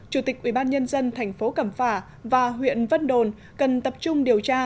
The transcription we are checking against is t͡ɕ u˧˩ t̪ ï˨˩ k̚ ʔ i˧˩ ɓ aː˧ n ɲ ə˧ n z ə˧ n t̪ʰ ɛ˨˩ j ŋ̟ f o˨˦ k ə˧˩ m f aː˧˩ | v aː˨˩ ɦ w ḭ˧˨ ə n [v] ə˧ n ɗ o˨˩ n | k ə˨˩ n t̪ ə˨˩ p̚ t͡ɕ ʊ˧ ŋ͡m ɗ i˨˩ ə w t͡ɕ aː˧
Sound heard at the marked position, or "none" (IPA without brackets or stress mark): v